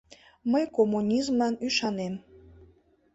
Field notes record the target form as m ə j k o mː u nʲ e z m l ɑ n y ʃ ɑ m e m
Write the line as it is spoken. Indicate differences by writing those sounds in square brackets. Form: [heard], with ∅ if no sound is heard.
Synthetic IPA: m ə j k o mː u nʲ [i] z m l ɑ n y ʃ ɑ [n] e m